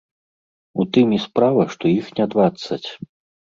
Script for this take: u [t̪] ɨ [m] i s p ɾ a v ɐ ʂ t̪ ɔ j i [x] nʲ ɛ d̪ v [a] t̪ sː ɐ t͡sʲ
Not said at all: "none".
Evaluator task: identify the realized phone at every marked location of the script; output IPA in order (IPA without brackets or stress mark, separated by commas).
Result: t̪, m, x, a